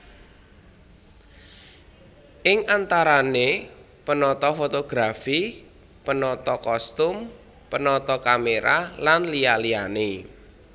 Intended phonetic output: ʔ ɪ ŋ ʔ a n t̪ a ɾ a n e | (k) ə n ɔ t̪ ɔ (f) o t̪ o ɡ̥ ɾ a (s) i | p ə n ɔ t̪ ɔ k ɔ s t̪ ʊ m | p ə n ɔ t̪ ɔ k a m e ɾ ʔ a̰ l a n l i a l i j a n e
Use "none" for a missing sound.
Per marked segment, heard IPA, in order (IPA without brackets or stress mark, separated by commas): p, f, f